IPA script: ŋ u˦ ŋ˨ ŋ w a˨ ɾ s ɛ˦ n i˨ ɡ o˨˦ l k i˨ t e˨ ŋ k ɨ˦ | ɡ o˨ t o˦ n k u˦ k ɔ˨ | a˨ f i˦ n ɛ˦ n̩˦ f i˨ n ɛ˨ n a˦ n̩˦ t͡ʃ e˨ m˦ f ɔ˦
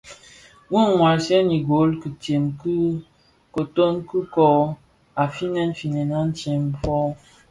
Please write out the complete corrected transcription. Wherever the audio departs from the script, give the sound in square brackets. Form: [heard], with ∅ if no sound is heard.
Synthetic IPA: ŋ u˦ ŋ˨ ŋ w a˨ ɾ s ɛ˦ n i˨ ɡ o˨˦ l k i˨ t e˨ [m] k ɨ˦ | [k] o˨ t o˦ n k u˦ k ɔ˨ | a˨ f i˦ n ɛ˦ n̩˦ f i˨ n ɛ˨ n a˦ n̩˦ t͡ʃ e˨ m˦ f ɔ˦